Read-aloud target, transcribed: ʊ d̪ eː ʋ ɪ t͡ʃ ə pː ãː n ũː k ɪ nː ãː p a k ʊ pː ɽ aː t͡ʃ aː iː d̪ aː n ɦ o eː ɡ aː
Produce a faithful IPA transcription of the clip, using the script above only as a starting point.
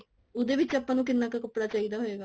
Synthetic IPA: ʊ d̪ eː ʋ ɪ t͡ʃ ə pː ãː n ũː k ɪ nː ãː k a k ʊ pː ɽ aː t͡ʃ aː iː d̪ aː ɦ o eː ɡ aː